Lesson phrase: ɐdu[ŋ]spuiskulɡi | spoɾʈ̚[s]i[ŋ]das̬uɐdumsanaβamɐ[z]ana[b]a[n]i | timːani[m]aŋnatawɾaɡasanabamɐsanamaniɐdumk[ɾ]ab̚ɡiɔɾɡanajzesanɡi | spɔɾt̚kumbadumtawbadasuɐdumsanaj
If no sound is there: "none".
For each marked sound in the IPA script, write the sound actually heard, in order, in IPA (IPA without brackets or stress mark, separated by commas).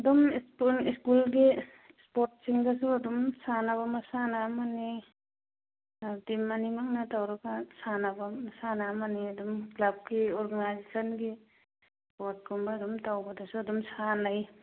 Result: m, s, ŋ, s, m, n, m, l